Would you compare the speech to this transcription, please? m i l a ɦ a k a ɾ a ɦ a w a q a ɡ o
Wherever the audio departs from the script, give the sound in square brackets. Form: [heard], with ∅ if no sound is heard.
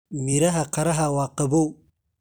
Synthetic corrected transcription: m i [ɾ] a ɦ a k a ɾ a ɦ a w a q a [b] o